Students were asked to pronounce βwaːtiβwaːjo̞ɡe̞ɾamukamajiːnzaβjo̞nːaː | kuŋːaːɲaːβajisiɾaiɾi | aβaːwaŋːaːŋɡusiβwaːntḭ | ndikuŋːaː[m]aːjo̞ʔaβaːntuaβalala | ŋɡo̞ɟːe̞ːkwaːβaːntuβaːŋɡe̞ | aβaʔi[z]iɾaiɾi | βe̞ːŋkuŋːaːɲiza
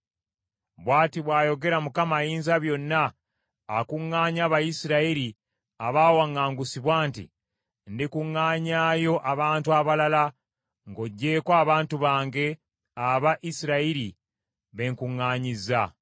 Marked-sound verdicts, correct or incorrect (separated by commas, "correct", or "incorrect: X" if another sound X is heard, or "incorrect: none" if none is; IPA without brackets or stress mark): incorrect: ɲ, incorrect: s